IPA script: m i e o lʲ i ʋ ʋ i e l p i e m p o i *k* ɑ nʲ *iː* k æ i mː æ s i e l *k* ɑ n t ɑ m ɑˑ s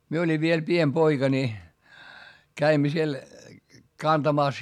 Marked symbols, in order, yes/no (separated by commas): yes, no, yes